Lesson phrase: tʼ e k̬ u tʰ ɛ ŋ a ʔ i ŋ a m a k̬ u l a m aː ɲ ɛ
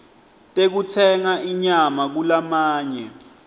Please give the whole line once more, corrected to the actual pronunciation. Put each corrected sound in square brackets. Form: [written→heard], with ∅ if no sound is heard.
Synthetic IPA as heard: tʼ e k̬ u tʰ ɛ ŋ a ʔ i [ŋ→ɲ] a m a k̬ u l a m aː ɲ ɛ